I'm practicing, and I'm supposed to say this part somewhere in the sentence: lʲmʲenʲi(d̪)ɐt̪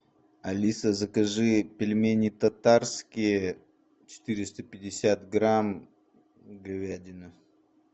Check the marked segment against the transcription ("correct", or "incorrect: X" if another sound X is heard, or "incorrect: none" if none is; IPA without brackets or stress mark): incorrect: t̪